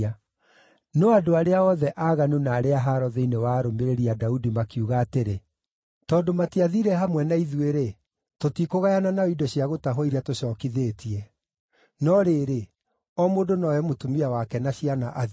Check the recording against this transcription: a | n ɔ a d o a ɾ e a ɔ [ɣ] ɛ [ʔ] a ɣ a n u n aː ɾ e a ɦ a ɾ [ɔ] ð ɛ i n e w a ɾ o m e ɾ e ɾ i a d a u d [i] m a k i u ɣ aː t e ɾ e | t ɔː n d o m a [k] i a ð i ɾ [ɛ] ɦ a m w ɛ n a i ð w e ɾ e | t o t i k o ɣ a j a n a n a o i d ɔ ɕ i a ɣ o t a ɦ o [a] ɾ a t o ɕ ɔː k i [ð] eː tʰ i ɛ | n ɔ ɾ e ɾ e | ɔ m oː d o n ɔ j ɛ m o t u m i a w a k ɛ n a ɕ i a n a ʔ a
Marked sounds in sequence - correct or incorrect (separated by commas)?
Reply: incorrect, correct, correct, correct, incorrect, correct, incorrect, correct